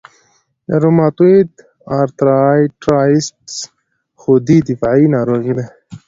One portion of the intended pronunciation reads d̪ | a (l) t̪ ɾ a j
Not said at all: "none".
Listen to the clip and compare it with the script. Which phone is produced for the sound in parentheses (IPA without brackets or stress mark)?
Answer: ɾ